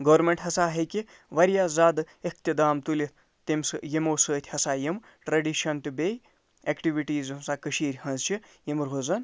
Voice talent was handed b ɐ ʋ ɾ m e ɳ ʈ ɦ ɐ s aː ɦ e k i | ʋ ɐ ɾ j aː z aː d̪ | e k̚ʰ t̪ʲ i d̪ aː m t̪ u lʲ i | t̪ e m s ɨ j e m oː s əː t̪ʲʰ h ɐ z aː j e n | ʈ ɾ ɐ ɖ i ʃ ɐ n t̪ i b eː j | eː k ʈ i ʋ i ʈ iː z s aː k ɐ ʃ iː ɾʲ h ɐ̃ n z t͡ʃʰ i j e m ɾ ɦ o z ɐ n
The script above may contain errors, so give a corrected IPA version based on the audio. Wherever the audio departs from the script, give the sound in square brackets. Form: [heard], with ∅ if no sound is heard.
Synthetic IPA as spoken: [ɡ] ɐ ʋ ɾ m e ɳ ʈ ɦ ɐ s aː ɦ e k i | ʋ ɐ ɾ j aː z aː d̪ | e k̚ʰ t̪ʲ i d̪ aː m t̪ u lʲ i | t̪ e m s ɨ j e m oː s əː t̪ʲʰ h ɐ [s] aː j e [m] | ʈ ɾ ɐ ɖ i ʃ ɐ n t̪ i b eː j | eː k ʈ i ʋ i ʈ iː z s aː k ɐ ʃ iː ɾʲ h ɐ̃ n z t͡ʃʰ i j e m ɾ ɦ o z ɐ n